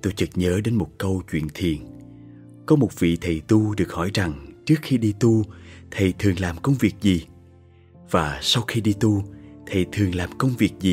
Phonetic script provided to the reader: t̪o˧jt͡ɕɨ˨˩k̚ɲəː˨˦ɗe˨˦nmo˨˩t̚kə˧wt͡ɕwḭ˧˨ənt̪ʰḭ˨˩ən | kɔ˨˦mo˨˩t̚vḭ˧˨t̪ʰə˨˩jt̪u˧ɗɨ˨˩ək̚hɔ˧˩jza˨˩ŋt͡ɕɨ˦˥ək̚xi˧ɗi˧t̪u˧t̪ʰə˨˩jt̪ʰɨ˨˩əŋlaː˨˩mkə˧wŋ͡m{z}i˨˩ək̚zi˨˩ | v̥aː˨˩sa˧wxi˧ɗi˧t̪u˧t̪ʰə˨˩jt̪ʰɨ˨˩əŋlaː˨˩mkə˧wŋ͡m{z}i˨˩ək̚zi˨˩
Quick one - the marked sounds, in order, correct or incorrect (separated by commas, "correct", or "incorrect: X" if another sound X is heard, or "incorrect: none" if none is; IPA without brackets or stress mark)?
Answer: incorrect: v, incorrect: v